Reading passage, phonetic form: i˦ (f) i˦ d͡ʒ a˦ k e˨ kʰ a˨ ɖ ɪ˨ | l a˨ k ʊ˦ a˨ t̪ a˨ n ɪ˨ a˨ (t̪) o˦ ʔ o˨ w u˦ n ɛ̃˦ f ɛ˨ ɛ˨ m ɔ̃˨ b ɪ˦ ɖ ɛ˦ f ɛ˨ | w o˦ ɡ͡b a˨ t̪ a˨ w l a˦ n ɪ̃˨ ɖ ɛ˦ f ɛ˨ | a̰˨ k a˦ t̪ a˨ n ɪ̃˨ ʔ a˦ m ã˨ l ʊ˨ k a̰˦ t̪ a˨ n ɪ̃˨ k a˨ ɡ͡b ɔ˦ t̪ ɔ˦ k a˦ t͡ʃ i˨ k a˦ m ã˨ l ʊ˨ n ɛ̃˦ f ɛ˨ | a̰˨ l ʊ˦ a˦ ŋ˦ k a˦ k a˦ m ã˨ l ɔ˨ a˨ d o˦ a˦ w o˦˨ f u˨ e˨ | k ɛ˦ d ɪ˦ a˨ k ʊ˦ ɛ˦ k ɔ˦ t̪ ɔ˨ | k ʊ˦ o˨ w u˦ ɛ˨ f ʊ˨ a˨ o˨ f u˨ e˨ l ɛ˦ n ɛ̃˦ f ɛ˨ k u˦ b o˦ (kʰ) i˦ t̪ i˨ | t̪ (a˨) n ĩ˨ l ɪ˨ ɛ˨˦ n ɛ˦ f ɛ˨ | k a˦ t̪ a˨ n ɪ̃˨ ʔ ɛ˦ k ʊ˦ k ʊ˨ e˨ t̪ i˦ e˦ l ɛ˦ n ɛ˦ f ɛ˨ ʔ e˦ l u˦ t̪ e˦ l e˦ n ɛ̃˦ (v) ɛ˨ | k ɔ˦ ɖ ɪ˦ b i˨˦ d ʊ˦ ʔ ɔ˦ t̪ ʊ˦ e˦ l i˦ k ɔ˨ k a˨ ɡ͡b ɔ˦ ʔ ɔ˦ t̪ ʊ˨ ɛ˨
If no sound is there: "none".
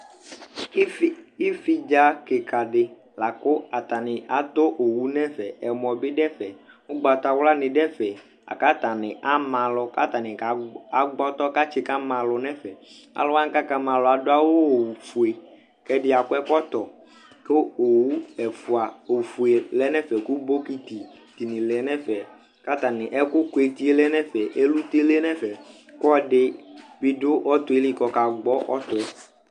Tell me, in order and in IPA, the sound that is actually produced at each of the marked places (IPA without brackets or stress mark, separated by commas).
f, t̪, k, i˨, f